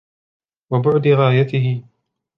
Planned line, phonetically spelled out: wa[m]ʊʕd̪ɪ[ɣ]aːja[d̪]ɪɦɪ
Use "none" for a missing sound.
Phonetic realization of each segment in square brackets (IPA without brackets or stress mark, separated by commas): b, ɣ, t̪